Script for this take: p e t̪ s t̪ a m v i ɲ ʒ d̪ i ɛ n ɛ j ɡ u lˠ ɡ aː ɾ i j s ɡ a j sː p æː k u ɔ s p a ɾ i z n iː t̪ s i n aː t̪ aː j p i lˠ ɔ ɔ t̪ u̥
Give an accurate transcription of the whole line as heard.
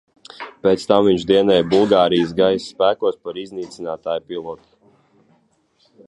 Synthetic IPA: p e t̪ s t̪ a m v i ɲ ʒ d̪ i ɛ n ɛ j b u lˠ ɡ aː ɾ i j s ɡ a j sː p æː k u ɔ s p a ɾ i z n iː t̪ s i n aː t̪ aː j p i lˠ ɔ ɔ t̪ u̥